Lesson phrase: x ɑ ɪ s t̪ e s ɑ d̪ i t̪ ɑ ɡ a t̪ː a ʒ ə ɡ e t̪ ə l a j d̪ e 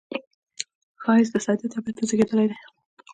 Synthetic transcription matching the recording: x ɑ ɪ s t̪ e s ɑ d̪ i t̪ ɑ b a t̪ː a z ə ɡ e d̪ ə l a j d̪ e